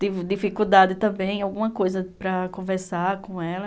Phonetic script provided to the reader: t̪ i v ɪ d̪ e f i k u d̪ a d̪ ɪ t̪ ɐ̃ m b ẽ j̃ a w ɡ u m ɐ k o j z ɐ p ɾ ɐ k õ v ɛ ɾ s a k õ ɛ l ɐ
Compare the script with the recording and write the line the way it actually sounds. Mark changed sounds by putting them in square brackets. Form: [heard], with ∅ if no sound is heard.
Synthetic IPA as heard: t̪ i v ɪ d̪ [i] f i k u d̪ a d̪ ɪ t̪ ɐ̃ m b ẽ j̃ a w ɡ [ũ] m ɐ k o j z ɐ p ɾ ɐ k õ v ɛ ɾ s a k õ ɛ l ɐ